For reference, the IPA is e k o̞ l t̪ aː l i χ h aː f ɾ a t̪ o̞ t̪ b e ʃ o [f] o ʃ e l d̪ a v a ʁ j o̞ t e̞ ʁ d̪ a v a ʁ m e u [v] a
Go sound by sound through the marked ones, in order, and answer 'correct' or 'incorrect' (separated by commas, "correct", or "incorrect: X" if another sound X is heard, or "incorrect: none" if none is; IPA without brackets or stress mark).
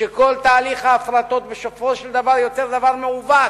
correct, correct